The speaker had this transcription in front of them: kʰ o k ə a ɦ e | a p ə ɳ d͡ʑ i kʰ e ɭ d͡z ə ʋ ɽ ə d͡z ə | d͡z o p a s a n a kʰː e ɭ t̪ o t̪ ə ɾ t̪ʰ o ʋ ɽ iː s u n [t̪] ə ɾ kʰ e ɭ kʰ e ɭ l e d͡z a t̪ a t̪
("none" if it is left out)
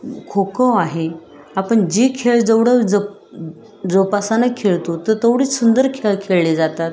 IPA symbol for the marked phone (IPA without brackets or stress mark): d̪